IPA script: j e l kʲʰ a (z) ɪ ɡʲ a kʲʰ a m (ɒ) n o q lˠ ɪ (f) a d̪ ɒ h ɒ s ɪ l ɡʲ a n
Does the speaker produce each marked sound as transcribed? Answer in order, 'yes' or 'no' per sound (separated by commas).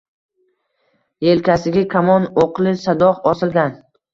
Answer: no, yes, no